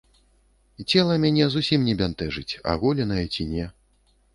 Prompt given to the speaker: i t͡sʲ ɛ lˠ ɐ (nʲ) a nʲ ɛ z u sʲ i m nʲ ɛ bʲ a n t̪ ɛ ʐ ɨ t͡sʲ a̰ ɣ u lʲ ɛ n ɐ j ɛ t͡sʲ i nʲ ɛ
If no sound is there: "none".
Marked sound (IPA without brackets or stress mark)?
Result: mʲ